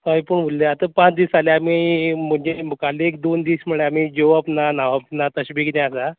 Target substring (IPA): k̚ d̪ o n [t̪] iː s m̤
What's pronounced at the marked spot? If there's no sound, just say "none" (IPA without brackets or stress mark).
d̪